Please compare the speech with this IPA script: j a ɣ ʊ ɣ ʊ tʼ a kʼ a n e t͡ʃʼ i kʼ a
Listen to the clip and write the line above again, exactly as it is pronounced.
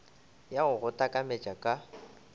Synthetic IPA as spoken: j a ɣ ʊ ɣ ʊ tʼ a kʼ a m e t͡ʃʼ a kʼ a